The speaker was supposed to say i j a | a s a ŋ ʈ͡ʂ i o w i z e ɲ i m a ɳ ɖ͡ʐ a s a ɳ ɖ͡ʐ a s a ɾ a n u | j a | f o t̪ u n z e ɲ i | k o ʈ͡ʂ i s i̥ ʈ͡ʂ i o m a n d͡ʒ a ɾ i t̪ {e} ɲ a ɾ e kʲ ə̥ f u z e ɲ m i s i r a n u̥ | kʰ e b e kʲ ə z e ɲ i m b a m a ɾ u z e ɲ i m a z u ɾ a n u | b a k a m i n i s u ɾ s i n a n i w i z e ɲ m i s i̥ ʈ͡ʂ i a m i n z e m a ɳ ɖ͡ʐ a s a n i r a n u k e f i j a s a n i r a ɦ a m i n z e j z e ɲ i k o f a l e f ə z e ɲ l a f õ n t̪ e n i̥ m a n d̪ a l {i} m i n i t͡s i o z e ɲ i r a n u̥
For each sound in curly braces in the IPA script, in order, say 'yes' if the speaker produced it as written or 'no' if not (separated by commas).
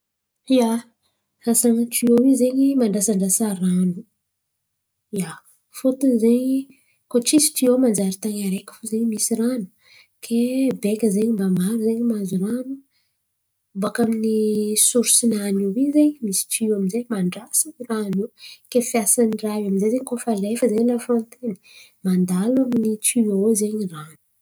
no, no